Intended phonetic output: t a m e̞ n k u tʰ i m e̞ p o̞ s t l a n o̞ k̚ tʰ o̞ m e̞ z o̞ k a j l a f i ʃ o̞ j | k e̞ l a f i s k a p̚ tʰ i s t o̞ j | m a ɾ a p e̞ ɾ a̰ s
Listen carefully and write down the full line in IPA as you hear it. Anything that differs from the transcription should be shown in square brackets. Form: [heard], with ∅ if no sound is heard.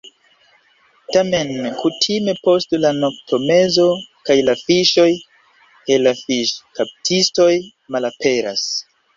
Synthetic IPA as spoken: t a m e̞ n k u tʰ i m e̞ p o̞ s t l a n o̞ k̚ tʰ o̞ m e̞ z o̞ k a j l a f i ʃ o̞ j | k e̞ l a f i [ʃ] k a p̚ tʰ i s t o̞ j | m a [l] a p e̞ ɾ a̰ s